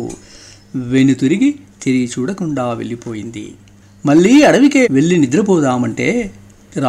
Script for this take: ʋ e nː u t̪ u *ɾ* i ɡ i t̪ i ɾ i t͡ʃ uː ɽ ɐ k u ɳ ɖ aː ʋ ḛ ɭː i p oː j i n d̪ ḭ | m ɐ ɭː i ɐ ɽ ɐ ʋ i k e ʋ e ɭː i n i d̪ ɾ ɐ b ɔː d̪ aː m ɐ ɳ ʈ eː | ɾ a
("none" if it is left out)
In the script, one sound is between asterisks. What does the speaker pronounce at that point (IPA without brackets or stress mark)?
ɾ